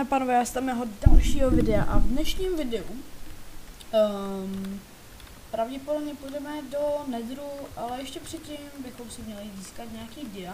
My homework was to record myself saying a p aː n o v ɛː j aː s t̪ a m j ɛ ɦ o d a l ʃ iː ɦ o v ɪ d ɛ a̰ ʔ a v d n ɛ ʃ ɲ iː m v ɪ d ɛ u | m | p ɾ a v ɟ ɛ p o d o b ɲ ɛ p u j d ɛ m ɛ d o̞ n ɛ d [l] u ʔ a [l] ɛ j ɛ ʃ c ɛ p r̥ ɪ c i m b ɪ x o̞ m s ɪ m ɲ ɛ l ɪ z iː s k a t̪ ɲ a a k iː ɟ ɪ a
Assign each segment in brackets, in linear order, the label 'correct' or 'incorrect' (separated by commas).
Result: incorrect, correct